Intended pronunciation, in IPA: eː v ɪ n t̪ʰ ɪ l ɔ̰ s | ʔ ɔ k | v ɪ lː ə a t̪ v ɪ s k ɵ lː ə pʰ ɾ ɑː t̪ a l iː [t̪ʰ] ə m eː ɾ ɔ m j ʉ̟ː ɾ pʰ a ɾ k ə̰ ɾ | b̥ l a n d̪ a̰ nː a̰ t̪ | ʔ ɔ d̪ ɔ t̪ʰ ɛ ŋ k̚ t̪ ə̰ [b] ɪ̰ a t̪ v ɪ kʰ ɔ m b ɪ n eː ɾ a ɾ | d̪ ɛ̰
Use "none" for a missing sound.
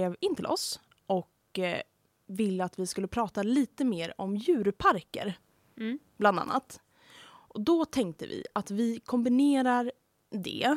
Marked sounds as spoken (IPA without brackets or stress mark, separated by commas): t̪, v